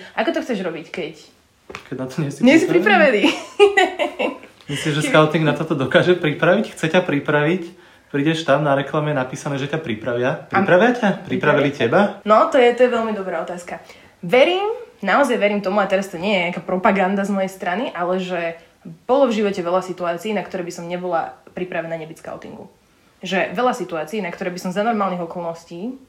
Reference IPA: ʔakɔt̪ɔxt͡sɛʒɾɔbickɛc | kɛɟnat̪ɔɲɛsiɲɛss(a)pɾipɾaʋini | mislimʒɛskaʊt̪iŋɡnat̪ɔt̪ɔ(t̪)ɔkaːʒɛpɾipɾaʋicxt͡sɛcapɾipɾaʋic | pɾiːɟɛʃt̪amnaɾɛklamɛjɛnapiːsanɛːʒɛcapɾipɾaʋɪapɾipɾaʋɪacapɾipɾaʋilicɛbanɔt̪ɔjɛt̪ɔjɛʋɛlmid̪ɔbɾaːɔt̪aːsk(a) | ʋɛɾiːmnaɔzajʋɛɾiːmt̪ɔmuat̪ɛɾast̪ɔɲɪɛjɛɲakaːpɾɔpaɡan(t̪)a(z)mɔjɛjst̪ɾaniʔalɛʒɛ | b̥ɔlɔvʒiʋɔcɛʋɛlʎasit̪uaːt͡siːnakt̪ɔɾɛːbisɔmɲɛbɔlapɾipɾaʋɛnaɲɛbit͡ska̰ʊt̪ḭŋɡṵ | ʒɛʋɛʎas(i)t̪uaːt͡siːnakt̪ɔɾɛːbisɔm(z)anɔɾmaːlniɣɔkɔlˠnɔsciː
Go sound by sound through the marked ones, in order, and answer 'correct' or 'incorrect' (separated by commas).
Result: incorrect, incorrect, correct, incorrect, correct, correct, correct